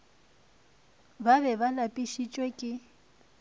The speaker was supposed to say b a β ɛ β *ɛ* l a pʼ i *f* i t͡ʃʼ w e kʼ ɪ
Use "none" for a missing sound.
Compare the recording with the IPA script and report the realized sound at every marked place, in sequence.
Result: a, ʃ

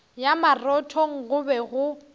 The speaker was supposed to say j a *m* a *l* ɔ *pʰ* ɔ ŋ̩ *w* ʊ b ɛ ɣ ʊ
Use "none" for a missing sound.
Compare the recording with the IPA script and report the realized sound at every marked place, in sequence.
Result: m, r, tʰ, ɣ

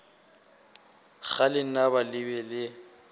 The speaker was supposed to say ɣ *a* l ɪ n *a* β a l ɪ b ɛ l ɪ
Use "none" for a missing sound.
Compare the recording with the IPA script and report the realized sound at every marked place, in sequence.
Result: a, a

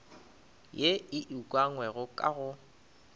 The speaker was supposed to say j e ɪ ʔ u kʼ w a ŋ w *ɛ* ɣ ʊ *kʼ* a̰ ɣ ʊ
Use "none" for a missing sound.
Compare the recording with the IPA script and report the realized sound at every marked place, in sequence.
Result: ɛ, kʼ

